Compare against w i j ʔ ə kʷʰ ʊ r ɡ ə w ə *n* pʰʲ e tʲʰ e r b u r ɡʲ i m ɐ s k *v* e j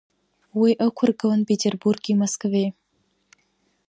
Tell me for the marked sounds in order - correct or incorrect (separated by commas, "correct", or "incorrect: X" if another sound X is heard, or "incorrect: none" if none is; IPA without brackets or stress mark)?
correct, correct